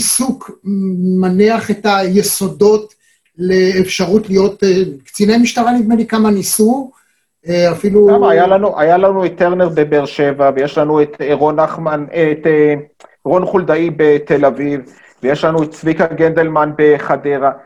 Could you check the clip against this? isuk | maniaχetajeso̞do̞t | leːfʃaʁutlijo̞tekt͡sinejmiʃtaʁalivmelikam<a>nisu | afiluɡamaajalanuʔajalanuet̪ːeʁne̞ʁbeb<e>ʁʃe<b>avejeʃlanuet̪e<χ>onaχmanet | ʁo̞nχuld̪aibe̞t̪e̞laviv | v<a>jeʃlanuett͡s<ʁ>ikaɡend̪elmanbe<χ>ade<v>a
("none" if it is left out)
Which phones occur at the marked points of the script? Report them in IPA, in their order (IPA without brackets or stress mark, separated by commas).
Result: a, e, v, ʁ, e, v, χ, ʁ